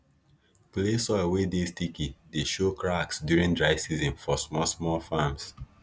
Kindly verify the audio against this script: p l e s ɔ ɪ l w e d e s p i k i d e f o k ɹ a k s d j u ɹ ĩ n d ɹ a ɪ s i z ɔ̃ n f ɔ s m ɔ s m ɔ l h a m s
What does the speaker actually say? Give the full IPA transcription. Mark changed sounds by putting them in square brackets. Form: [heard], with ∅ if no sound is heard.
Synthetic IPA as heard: p l e s ɔ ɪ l w e d e s [t] i k i d e [ʃ] o k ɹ a k s d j u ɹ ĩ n d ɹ a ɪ s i z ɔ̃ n f ɔ s m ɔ s m ɔ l [f] a m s